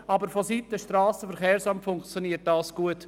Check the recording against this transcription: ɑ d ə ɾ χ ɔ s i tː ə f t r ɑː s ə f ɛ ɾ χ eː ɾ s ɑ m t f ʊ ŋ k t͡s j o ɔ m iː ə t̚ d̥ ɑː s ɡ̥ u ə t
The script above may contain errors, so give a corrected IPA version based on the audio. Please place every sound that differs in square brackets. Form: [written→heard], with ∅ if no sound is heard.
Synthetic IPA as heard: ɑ [d→b] ə ɾ [χ→f] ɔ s i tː ə [f→ʃ] t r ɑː s ə f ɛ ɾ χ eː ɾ s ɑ m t f ʊ ŋ k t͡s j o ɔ [m→n] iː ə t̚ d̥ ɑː s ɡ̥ u ə t